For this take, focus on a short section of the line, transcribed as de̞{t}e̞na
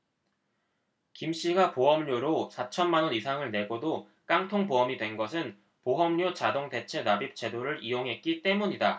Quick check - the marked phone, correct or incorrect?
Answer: incorrect: t͡ɕʰ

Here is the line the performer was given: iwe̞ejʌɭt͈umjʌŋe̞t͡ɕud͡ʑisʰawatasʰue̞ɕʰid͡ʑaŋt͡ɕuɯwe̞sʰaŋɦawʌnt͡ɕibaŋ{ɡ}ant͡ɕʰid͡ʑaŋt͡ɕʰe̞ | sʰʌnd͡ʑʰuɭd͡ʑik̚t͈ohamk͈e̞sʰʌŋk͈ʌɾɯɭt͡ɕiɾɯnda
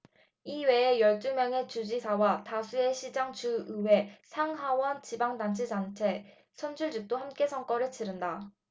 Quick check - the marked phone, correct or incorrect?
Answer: incorrect: d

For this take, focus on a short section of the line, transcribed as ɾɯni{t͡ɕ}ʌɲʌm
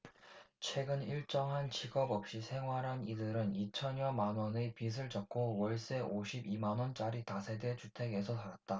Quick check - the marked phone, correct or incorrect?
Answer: incorrect: t͡ɕʰ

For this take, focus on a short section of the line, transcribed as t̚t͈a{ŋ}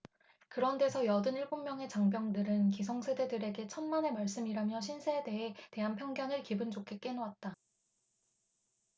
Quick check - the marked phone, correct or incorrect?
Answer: incorrect: none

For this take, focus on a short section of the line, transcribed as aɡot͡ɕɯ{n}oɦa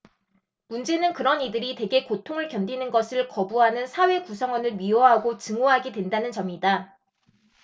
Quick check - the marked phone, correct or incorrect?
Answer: incorrect: ŋ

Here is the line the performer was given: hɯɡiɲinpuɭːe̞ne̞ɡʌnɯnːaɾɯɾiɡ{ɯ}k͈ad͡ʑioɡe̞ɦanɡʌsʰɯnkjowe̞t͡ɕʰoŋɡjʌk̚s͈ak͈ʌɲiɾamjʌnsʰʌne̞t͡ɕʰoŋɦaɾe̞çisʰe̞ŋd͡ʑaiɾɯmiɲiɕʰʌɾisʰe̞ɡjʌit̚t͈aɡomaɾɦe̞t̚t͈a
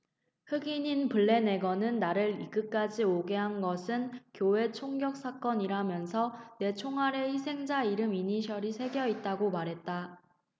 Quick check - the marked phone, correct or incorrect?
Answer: correct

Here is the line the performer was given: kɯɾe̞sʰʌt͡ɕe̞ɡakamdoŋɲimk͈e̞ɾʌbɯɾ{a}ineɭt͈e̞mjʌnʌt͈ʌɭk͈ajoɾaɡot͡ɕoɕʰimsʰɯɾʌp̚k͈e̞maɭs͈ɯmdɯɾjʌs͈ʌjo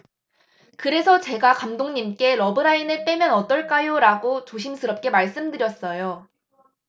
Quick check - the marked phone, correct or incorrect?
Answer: correct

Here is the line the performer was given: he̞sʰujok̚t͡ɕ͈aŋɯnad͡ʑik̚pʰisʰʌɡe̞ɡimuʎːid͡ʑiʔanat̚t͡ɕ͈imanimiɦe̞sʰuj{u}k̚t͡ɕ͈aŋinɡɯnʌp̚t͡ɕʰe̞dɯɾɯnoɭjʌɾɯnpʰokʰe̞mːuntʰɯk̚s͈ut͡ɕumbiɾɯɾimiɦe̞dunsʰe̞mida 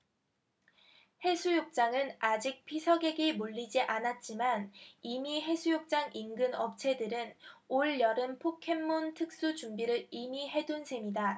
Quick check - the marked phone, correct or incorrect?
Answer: incorrect: o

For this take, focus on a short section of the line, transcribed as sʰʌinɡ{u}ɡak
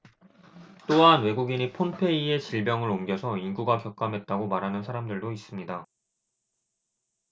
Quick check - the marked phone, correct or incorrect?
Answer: correct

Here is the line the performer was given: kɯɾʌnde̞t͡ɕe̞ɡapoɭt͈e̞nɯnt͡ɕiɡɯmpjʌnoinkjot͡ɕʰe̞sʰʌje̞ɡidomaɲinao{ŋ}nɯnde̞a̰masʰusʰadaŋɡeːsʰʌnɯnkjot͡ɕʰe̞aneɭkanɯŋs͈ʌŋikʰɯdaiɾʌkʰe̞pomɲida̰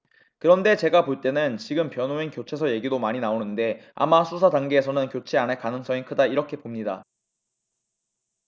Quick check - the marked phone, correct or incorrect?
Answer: incorrect: none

